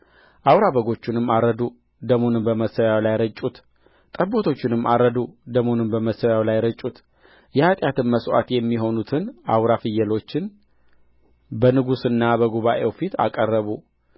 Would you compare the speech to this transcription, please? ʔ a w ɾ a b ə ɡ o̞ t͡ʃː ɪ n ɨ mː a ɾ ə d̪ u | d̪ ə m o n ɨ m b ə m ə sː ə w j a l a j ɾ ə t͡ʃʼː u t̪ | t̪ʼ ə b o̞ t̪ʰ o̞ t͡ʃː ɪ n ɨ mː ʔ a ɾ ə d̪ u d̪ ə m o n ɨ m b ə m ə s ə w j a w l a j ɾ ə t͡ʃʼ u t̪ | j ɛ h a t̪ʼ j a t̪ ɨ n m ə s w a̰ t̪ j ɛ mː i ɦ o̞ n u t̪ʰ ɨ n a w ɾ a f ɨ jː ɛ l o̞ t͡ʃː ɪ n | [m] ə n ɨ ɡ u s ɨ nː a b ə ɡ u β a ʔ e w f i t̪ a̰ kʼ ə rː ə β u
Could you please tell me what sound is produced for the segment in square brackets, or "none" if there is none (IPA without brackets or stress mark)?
b